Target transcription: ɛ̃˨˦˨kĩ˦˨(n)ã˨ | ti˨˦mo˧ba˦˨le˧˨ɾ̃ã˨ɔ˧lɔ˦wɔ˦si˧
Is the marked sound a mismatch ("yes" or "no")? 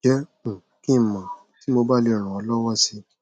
yes